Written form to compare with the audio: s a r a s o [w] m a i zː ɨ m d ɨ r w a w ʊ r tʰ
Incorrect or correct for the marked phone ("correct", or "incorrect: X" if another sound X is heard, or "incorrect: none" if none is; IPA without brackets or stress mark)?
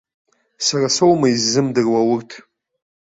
correct